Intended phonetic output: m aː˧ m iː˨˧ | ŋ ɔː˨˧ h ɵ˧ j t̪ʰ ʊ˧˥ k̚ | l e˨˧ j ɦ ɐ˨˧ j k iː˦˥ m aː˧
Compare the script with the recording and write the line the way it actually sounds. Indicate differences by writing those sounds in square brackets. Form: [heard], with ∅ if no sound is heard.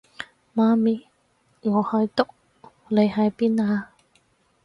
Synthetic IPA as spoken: m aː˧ m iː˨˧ | ŋ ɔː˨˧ h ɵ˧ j [t̪] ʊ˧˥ k̚ | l e˨˧ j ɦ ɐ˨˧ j [p] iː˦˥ [n] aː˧